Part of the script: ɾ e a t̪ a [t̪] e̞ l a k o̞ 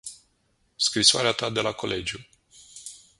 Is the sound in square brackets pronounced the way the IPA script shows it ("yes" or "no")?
no